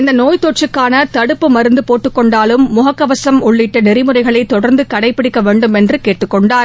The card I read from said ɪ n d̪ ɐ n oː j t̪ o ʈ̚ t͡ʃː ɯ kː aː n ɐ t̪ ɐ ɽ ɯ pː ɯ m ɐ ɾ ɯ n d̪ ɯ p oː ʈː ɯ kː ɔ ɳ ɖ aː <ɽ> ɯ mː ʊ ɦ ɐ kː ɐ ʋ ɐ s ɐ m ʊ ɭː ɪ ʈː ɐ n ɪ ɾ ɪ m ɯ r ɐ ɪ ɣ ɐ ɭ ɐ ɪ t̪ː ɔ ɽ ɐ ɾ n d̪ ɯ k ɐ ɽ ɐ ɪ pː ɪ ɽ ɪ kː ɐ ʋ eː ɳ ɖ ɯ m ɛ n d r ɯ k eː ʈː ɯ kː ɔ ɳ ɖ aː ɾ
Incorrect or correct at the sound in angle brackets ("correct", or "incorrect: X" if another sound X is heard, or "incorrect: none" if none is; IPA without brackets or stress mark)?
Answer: incorrect: l